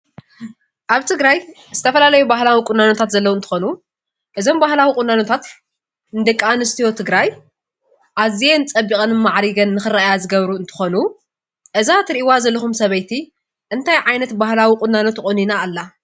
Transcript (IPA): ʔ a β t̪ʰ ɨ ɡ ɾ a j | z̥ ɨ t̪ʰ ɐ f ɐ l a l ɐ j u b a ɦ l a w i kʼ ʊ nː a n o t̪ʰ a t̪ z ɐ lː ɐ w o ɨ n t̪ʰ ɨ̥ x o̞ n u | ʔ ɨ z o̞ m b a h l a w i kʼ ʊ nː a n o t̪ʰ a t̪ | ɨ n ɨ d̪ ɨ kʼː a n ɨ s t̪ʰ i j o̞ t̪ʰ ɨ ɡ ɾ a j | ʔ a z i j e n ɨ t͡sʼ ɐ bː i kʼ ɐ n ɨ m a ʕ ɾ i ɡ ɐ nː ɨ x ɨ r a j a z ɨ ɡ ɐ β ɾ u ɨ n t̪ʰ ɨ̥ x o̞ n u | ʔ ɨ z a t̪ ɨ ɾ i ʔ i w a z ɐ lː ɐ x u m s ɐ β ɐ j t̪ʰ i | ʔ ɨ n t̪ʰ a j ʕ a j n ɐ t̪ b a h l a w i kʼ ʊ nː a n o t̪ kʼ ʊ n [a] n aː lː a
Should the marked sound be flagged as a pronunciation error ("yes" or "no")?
yes